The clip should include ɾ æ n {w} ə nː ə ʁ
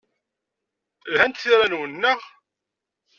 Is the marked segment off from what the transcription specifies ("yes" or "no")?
no